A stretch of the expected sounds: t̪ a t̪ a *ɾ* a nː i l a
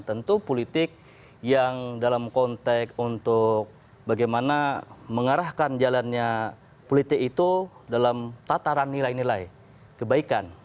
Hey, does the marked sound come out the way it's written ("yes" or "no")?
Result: yes